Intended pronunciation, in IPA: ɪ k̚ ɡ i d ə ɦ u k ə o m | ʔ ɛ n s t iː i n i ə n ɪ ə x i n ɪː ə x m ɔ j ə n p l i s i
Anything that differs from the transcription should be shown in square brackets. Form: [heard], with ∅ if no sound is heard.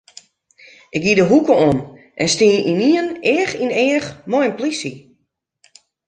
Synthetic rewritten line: ɪ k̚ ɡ i d ə ɦ u k ə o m | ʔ ɛ n s t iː i n i ə n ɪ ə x i n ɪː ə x m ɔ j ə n p l i s i